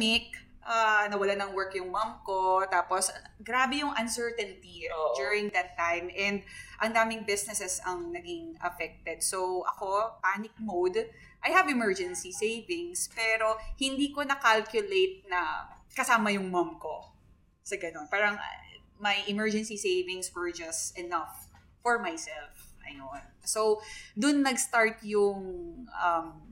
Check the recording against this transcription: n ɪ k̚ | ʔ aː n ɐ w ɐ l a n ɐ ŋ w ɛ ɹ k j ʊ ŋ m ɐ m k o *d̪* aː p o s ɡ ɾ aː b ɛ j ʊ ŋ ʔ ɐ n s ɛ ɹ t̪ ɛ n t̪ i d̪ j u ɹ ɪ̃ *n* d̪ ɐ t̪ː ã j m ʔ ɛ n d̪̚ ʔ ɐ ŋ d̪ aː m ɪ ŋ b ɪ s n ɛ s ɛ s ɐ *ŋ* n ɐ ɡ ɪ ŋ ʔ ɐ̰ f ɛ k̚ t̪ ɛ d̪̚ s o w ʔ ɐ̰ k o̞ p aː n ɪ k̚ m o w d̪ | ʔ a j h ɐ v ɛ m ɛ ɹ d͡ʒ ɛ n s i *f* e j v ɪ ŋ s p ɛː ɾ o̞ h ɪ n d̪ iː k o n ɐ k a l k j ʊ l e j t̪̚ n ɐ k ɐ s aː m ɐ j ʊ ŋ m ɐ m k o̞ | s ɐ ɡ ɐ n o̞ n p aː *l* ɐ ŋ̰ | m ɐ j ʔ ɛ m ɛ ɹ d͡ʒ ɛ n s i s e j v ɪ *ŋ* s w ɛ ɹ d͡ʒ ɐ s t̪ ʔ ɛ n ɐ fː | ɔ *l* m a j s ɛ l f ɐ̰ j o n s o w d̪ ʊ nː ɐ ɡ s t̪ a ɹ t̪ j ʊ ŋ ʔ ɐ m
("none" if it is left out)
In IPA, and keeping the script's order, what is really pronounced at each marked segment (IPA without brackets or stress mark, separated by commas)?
t̪, ŋ, ŋ, s, ɾ, ŋ, ɹ